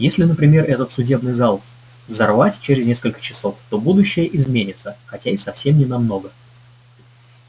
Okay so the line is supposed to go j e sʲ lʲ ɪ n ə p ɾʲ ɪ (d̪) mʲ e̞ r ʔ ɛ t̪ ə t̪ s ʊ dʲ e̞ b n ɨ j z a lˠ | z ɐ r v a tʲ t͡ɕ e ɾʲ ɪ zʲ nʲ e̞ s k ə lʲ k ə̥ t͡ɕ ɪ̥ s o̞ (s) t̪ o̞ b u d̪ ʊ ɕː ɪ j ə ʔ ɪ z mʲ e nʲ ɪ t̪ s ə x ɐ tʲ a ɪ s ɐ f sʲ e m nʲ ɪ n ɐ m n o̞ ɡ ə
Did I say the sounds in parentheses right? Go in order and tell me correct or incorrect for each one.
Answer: incorrect, incorrect

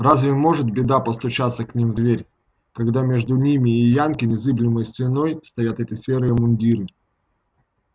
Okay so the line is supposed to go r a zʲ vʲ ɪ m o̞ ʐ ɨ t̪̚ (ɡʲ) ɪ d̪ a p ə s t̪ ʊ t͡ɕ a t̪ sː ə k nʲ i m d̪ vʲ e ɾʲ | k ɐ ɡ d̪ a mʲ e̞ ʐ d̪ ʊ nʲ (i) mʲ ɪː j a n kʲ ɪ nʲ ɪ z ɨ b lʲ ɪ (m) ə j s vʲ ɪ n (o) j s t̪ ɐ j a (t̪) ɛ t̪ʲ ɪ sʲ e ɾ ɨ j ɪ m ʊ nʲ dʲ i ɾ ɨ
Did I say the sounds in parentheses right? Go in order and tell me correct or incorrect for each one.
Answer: incorrect, correct, correct, correct, correct

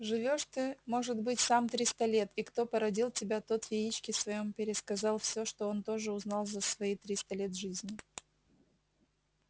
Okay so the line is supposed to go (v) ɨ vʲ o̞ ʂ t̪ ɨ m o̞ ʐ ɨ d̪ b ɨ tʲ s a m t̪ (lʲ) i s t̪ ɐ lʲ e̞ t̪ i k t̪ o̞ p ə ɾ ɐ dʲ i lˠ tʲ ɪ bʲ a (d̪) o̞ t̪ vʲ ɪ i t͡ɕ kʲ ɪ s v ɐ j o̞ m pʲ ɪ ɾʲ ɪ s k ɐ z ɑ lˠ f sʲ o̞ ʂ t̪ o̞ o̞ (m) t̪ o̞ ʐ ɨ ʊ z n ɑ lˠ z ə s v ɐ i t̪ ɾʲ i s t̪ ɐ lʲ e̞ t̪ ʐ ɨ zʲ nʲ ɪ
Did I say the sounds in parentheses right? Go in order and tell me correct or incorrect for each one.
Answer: incorrect, incorrect, incorrect, incorrect

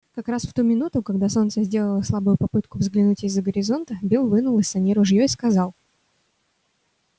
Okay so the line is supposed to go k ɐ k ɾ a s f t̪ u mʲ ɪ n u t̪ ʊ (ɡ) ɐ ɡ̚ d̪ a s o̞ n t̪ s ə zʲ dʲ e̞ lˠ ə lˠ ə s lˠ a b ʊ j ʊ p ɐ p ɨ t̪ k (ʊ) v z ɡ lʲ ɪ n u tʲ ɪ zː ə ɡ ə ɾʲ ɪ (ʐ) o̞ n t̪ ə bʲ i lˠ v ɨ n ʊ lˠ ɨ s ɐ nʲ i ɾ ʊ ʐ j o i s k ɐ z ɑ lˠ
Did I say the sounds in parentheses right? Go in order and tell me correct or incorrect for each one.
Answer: incorrect, correct, incorrect

